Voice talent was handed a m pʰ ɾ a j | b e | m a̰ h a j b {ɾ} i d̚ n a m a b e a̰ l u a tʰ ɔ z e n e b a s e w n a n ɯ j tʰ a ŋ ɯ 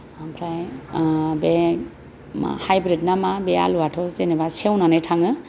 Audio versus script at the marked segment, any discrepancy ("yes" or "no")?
no